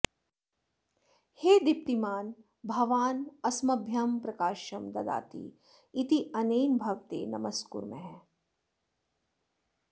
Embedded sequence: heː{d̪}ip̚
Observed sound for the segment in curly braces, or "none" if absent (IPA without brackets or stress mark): d̪